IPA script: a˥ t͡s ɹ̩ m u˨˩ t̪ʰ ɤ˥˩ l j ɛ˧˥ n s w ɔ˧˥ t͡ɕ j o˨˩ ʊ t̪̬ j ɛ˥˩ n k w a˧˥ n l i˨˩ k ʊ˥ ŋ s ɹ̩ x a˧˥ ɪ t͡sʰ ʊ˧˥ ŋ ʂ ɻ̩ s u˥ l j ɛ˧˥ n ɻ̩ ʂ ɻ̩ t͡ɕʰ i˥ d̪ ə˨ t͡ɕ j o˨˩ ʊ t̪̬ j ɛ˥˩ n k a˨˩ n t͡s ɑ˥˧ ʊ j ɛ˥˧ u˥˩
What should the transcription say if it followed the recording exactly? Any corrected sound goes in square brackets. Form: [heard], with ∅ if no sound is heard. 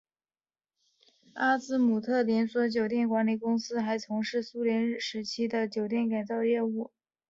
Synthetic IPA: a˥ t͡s ɹ̩ m u˨˩ t̪ʰ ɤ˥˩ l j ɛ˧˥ n s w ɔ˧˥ t͡ɕ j o˨˩ ʊ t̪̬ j ɛ˥˩ n k w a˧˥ n l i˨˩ k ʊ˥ ŋ s ɹ̩ x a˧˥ ɪ t͡sʰ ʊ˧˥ ŋ ʂ ɻ̩ s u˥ l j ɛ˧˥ n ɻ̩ ʂ ɻ̩ t͡ɕʰ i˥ d̪ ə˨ t͡ɕ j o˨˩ ʊ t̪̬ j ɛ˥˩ n k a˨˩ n t͡s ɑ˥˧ ʊ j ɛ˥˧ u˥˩